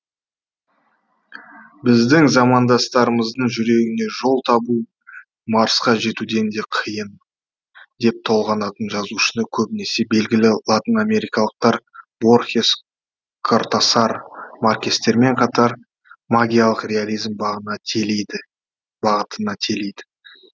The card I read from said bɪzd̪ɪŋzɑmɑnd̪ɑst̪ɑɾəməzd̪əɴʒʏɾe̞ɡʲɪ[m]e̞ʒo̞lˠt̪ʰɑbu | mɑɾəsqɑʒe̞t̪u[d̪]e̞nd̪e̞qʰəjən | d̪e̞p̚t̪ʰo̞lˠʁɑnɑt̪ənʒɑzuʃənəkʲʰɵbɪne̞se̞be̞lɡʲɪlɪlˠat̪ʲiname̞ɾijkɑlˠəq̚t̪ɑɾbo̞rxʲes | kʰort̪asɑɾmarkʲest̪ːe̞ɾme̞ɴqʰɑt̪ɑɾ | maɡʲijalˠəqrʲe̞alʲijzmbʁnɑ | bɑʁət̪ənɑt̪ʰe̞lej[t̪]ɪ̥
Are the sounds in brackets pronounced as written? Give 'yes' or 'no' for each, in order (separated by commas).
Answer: no, yes, no